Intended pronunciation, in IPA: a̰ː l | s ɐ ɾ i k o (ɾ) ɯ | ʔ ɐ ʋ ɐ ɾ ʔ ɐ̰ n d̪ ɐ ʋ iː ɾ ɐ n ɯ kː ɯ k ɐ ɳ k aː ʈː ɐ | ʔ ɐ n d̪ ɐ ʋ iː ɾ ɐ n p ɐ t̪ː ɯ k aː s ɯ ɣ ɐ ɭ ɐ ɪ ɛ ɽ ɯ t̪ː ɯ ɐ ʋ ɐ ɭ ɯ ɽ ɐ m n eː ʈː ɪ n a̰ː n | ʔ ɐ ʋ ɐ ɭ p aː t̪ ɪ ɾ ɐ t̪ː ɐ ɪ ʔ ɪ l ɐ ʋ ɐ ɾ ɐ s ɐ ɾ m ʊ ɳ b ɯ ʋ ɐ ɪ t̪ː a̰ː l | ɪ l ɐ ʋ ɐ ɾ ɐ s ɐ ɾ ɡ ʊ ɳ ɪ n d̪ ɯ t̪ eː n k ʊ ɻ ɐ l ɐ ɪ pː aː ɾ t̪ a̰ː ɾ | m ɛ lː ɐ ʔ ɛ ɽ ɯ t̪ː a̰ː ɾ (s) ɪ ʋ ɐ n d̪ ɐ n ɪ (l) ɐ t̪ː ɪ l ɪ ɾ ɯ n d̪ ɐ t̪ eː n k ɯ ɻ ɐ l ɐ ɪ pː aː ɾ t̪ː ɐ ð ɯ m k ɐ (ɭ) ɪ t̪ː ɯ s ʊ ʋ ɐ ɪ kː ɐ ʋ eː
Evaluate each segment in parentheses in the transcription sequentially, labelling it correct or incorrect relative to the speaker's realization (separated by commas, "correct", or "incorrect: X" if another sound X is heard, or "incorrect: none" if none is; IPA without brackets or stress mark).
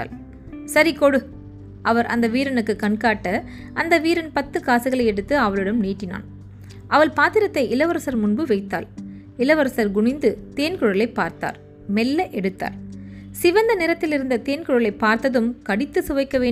incorrect: ɽ, correct, incorrect: ɾ, incorrect: ɽ